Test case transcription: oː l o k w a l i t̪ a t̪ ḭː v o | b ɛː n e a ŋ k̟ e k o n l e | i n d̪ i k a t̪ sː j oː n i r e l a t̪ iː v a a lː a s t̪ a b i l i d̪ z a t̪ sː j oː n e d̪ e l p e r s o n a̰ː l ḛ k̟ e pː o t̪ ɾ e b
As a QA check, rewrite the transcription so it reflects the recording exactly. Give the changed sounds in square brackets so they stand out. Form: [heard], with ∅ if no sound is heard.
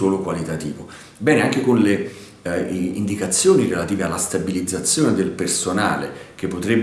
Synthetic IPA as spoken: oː l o k w a l i t̪ a t̪ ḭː v o | b ɛː n e a ŋ k̟ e k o n l e | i n d̪ i k a t̪ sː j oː n i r e l a t̪ iː v [e] a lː a s t̪ a b i l i d̪ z a t̪ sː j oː n e d̪ e l p e r s o n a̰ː l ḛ k̟ e pː o t̪ ɾ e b